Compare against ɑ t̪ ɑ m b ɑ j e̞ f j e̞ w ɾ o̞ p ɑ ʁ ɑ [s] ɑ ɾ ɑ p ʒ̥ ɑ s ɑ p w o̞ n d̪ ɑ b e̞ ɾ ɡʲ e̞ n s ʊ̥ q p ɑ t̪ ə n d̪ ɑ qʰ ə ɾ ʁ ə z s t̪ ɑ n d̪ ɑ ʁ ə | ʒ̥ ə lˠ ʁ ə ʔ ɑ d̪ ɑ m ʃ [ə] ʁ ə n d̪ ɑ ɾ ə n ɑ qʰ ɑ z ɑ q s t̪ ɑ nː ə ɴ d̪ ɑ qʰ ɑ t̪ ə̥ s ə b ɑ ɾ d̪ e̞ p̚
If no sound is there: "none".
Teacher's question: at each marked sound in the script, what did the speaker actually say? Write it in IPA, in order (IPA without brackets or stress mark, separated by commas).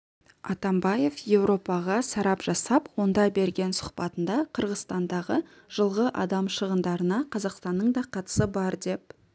s, ə